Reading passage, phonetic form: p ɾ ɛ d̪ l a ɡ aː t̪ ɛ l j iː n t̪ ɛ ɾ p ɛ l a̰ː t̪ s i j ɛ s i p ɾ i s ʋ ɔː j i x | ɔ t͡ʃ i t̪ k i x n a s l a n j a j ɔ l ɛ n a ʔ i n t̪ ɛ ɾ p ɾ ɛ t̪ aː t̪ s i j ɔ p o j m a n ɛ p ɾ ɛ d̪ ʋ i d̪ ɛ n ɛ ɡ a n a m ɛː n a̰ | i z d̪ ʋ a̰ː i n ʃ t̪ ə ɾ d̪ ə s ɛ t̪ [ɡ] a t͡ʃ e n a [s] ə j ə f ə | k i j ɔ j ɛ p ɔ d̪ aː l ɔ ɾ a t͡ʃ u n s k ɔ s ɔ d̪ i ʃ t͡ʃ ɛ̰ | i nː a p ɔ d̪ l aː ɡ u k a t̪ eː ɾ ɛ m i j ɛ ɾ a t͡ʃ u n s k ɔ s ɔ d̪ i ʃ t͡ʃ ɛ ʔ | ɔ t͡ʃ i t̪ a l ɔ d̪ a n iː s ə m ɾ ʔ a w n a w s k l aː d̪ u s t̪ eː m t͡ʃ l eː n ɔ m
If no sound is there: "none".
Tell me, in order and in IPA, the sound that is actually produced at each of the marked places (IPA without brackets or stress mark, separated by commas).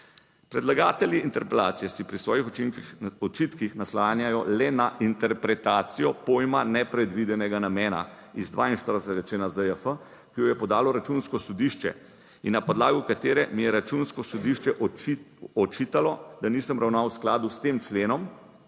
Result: ɡ, z